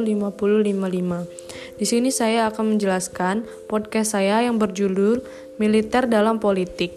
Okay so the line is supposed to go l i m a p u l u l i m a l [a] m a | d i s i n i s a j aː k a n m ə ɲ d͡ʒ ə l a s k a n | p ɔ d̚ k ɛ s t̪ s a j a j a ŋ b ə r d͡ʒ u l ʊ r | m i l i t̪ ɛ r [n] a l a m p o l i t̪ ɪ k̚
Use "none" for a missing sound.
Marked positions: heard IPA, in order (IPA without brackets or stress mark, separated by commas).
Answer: i, d